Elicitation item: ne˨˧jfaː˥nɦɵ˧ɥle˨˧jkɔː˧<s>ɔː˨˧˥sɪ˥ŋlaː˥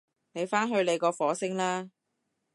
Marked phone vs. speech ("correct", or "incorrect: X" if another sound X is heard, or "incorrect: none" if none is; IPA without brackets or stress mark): incorrect: f